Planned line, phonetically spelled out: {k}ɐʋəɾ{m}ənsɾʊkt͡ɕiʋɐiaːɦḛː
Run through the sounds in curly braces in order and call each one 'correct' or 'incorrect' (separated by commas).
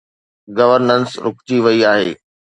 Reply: incorrect, incorrect